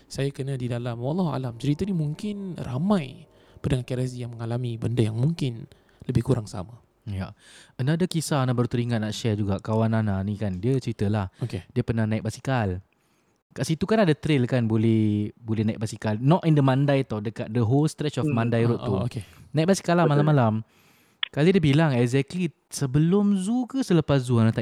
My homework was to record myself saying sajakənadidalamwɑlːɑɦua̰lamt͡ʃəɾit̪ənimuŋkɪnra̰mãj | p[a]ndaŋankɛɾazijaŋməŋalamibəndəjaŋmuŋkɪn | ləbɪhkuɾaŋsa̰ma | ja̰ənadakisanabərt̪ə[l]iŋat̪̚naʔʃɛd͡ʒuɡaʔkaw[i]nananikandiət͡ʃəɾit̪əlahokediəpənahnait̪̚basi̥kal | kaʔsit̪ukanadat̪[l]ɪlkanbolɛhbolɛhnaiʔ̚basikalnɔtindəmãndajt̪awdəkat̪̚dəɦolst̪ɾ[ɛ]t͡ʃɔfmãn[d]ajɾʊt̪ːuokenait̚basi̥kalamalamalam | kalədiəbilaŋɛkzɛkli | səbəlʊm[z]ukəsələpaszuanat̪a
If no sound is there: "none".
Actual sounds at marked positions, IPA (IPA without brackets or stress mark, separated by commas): ə, ɾ, a, ɾ, ɛ, d, z